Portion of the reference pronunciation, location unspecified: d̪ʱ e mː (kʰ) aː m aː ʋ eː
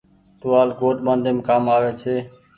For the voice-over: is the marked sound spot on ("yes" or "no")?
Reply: no